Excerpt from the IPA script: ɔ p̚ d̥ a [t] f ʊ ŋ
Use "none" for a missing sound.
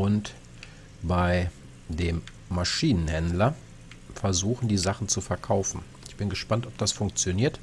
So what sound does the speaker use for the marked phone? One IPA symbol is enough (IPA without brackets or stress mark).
s